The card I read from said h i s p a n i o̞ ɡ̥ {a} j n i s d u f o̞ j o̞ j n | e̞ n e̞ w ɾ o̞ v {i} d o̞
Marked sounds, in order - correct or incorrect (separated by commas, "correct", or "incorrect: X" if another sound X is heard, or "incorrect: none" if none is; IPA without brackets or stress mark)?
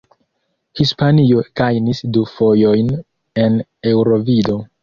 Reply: correct, correct